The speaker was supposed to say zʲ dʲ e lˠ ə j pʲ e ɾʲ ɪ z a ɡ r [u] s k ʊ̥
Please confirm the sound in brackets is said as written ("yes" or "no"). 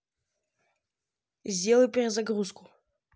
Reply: yes